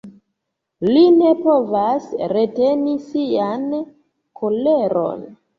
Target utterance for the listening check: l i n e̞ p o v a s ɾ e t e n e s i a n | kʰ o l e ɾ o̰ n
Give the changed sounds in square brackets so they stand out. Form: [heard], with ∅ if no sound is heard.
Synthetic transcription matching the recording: l i n e̞ p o v a s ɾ e t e n [i] s i a n | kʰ o l e ɾ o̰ n

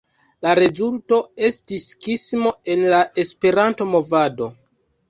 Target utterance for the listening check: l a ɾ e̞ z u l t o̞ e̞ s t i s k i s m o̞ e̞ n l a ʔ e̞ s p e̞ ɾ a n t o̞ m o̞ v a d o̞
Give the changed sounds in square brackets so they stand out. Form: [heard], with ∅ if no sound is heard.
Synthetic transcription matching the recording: l a ɾ e̞ z u l t o̞ e̞ s t i s k i s m o̞ e̞ n l a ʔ e̞ s p e̞ ɾ a n t o̞ m o̞ v a d o̞

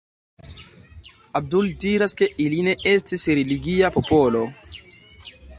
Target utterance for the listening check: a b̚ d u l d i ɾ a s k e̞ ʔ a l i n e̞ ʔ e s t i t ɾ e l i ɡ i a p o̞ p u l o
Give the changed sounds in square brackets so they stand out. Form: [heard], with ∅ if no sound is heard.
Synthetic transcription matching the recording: a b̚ d u l d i ɾ a s k e̞ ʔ [i] l i n e̞ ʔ e s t i [s] ɾ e l i ɡ i a p o̞ p [o] l o

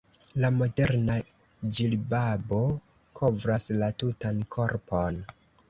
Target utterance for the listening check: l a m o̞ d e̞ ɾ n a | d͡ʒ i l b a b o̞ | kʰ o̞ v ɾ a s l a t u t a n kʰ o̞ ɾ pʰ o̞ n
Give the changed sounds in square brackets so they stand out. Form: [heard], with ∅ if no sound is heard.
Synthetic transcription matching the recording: l a m o̞ d e̞ ɾ n a | d͡ʒ i l b a b o̞ | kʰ o̞ v ɾ a s l a t u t a n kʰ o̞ ɾ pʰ o̞ n

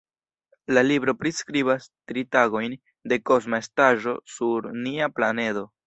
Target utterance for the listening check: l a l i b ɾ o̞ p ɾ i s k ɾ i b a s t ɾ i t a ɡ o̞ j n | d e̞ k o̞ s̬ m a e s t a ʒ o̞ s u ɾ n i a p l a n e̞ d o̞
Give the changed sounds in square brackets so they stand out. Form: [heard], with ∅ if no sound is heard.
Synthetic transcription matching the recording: l a l i b ɾ o̞ p ɾ i s k ɾ i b a s t ɾ i t a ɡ o̞ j n | d e̞ k o̞ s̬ m a e s t a ʒ o̞ s u ɾ n i a p l a n e̞ d o̞

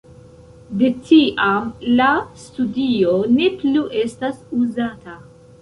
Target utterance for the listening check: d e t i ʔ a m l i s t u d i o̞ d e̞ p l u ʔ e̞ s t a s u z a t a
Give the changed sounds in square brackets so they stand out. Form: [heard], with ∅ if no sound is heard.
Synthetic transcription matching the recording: d e t i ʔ a m l [a] s t u d i o̞ [n] e̞ p l u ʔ e̞ s t a s u z a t a

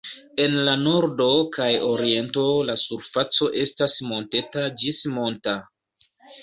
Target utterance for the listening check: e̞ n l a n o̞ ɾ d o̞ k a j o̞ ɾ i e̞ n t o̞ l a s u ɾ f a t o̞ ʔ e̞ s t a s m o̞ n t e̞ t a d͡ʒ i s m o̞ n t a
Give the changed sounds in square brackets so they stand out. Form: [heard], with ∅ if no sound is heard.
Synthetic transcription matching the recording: e̞ n l a n o̞ ɾ d o̞ k a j o̞ ɾ i e̞ n t o̞ l a s u ɾ f a [t͡s] o̞ ʔ e̞ s t a s m o̞ n t e̞ t a d͡ʒ i s m o̞ n t a

